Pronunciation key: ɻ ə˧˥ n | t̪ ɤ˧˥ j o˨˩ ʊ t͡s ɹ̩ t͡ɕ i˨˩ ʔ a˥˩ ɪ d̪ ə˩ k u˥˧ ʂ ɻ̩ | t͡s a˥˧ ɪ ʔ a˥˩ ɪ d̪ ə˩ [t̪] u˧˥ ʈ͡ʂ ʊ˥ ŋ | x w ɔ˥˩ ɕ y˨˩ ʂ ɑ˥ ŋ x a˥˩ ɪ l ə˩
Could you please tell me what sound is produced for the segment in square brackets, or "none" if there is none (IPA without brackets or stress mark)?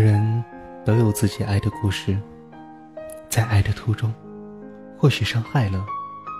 t̪ʰ